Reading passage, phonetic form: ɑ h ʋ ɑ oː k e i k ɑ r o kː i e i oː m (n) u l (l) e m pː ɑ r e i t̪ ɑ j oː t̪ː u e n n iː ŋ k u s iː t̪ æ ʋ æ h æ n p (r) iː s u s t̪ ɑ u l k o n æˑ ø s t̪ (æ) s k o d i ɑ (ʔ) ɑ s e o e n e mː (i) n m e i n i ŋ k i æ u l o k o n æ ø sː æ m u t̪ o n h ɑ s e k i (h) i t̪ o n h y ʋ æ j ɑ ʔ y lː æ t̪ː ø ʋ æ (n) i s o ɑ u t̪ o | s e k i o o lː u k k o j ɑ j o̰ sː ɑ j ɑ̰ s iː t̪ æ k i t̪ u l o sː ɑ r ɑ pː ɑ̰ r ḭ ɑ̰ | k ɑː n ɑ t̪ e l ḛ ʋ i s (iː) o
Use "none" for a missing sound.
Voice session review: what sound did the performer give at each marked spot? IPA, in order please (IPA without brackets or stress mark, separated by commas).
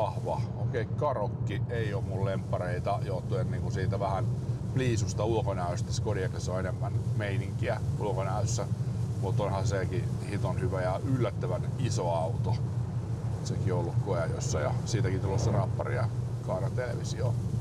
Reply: m, l, l, æ, k, æ, h, n, i